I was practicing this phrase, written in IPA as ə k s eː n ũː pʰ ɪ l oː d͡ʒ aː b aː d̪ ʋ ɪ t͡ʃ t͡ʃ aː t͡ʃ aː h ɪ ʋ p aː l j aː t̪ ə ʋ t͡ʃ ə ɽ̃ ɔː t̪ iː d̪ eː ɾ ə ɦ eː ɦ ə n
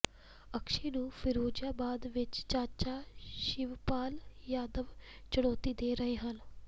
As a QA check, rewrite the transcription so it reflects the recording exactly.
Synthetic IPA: ə k ʃ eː n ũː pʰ ɪ ɾ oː d͡ʒ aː b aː d̪ ʋ ɪ t͡ʃ t͡ʃ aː t͡ʃ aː ʃ ɪ ʋ p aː l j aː d̪ ə ʋ t͡ʃ ə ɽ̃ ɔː t̪ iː d̪ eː ɾ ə ɦ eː ɦ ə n

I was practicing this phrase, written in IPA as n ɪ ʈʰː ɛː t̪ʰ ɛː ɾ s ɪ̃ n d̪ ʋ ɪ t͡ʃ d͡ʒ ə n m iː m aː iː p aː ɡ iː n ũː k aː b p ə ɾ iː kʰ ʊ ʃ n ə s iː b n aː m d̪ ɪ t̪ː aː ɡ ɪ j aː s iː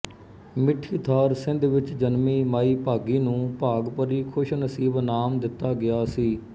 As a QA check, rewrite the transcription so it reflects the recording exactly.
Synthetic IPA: m ɪ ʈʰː iː t̪ʰ aː ɾ s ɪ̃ n d̪ ʋ ɪ t͡ʃ d͡ʒ ə n m iː m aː iː p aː ɡ iː n ũː p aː ɡ p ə ɾ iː kʰ ʊ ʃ n ə s iː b n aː m d̪ ɪ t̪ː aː ɡ ɪ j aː s iː

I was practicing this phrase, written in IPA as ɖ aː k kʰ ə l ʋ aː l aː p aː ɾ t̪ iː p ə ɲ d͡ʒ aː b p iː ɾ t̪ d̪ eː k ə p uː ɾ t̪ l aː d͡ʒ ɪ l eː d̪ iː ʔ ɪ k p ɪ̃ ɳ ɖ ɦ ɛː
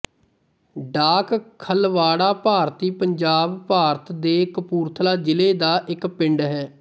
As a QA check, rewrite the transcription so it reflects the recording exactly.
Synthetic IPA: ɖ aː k kʰ ə l ʋ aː ɽ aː p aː ɾ t̪ iː p ə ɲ d͡ʒ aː b p aː ɾ t̪ d̪ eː k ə p uː ɾ t̪ʰ l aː d͡ʒ ɪ l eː d̪ aː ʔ ɪ k p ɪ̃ ɳ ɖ ɦ ɛː

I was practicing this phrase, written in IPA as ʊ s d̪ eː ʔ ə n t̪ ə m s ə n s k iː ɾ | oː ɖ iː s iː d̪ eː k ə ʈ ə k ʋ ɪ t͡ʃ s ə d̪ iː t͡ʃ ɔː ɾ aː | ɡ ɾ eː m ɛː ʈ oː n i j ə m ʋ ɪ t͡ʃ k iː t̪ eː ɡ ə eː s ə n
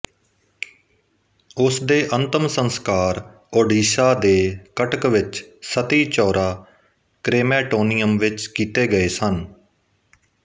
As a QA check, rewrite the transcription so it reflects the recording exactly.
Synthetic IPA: ʊ s d̪ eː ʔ ə n t̪ ə m s ə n s k aː ɾ | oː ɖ iː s aː d̪ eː k ə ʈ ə k ʋ ɪ t͡ʃ s ə t̪ iː t͡ʃ ɔː ɾ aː | k ɾ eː m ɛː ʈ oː n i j ə m ʋ ɪ t͡ʃ k iː t̪ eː ɡ ə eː s ə n

